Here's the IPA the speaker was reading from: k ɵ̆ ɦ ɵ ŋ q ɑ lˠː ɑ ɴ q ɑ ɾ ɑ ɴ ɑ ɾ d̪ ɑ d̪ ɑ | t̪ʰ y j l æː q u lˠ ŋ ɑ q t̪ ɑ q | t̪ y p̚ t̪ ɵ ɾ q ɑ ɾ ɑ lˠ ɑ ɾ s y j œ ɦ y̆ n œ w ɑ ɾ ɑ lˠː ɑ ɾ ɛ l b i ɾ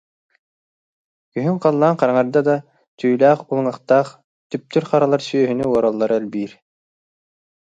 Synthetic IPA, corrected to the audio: k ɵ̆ ɦ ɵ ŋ q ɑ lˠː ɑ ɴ q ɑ ɾ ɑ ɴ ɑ ɾ d̪ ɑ d̪ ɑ | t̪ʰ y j l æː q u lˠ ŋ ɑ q t̪ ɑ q | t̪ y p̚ t̪ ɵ ɾ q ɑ ɾ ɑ lˠ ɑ ɾ s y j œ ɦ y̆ n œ w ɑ ɾ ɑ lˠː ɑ ɾ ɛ l b i ɾ

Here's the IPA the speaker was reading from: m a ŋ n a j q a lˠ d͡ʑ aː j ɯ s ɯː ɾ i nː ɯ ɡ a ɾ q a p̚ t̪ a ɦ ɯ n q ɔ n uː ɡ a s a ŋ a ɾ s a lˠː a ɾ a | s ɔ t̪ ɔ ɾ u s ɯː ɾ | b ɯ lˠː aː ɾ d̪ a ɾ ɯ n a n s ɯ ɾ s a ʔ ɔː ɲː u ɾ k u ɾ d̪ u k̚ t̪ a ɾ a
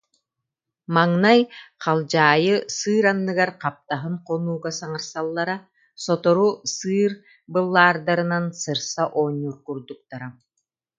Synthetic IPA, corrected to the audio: m a ŋ n a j q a lˠ d͡ʑ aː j ɯ s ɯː ɾ a nː ɯ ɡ a ɾ q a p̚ t̪ a ɦ ɯ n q ɔ n uː ɡ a s a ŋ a ɾ s a lˠː a ɾ a | s ɔ t̪ ɔ ɾ u s ɯː ɾ | b ɯ lˠː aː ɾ d̪ a ɾ ɯ n a n s ɯ ɾ s a ʔ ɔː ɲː u ɾ k u ɾ d̪ u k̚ t̪ a ɾ a

